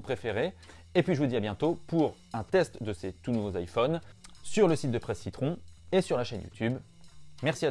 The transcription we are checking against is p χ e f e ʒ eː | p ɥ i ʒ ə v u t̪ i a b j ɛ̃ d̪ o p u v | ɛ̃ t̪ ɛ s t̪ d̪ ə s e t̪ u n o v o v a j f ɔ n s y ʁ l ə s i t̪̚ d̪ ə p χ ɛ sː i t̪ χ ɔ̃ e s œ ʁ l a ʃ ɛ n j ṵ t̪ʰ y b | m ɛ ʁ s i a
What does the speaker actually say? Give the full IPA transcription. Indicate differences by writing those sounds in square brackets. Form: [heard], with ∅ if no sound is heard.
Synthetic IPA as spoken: p χ e f e [ʁ] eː | p ɥ i ʒ ə v u [d̪] i a b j ɛ̃ [t̪] o p u [ʁ] | ɛ̃ t̪ ɛ s t̪ d̪ ə s e t̪ u n [u] v o [z] a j f ɔ n s y ʁ l ə s i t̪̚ d̪ ə p χ ɛ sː i t̪ χ ɔ̃ e s [y] ʁ l a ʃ ɛ n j ṵ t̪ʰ y b | m ɛ ʁ s i a